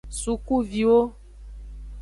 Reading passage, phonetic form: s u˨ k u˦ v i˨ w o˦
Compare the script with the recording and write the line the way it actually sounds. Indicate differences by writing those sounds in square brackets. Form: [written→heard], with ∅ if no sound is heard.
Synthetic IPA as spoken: s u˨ k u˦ v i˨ w o˦